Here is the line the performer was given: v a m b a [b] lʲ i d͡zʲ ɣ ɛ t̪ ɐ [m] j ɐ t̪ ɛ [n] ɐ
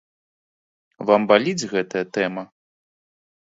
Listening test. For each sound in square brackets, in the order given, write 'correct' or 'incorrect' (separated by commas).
incorrect, incorrect, incorrect